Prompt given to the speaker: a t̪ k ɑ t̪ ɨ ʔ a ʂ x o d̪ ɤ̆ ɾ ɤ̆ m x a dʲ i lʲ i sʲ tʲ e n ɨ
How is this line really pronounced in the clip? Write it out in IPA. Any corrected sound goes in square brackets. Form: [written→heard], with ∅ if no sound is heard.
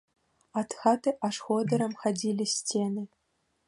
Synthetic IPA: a t̪ [k→x] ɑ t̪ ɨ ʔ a ʂ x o d̪ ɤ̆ ɾ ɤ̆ m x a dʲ i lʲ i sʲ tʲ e n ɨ